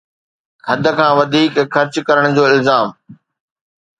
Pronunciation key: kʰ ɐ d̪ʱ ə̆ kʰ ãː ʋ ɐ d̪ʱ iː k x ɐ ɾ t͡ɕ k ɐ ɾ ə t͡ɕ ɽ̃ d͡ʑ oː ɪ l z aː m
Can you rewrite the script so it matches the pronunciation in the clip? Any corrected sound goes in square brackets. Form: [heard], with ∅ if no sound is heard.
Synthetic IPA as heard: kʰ ɐ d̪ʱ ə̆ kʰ ãː ʋ ɐ d̪ʱ iː k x ɐ ɾ t͡ɕ k ɐ ɾ ə [∅] ɽ̃ d͡ʑ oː ɪ l z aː m